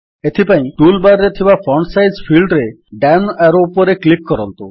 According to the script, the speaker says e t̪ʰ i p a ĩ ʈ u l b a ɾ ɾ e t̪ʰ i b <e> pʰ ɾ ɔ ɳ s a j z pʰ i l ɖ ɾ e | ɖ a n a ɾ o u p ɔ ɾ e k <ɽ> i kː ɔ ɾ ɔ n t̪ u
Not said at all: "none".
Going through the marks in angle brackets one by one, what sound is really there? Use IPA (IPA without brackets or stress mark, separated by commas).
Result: a, l